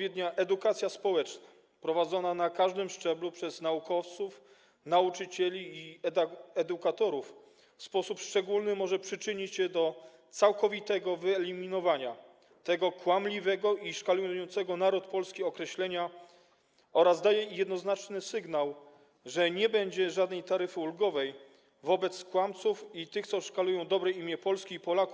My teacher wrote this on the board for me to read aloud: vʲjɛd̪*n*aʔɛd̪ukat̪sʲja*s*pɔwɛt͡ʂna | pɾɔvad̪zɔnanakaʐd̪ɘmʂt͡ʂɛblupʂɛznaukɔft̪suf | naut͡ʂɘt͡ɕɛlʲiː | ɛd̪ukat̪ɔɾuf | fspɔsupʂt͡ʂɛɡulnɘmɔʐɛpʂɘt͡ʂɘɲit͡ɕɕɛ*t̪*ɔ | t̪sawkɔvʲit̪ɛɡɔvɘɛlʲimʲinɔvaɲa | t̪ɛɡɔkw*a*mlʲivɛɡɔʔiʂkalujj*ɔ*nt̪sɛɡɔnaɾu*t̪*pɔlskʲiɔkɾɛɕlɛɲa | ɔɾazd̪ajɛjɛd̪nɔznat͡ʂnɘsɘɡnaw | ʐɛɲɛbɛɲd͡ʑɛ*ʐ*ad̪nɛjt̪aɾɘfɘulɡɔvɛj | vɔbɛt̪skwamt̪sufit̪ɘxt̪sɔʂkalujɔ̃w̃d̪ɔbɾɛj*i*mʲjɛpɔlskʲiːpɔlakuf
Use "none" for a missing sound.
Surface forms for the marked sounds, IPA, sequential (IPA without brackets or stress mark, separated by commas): ɲ, s, d̪, a, ɔ, t̪, ʐ, i